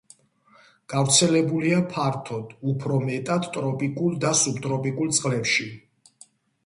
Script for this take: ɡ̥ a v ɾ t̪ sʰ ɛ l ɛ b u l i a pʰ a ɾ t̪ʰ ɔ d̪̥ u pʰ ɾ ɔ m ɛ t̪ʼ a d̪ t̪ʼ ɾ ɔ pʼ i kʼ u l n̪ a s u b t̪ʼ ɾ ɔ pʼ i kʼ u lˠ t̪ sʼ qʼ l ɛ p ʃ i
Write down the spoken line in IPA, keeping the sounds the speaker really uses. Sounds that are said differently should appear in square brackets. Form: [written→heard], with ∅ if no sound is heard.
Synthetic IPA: ɡ̥ a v ɾ t̪ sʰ ɛ l ɛ b u l i a pʰ a ɾ t̪ʰ ɔ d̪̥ u pʰ ɾ ɔ m ɛ t̪ʼ a d̪ t̪ʼ ɾ ɔ pʼ i kʼ u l [n̪→d̪] a s u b t̪ʼ ɾ ɔ pʼ i kʼ u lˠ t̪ sʼ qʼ l ɛ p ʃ i